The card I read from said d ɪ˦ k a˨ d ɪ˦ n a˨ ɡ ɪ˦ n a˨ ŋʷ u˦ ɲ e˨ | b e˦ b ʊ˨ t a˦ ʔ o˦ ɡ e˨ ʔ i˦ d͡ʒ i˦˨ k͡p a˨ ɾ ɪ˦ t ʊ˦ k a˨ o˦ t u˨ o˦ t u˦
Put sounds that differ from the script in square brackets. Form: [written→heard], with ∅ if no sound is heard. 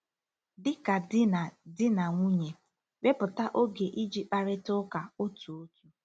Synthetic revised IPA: d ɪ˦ k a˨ d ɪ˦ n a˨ [ɡ→d] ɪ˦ n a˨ ŋʷ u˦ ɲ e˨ | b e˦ [b→p] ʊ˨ t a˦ ʔ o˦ ɡ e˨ ʔ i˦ d͡ʒ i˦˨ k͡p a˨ ɾ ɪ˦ t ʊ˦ k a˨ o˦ t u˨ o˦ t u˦